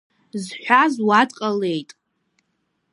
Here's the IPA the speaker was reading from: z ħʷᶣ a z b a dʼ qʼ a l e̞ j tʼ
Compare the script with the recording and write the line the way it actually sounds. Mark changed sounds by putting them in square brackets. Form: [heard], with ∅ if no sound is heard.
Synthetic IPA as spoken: z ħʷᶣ a z [w] a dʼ qʼ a l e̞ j tʼ